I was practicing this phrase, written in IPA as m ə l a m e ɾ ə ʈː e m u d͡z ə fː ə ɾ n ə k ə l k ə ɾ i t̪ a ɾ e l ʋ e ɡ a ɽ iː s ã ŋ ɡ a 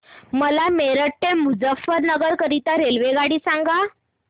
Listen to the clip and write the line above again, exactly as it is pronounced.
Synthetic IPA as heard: m ə l a m e ɾ ə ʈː e m u d͡z ə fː ə ɾ n ə ɡ ə ɾ k ə ɾ i t̪ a ɾ e l ʋ e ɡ a ɽ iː s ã ŋ ɡ a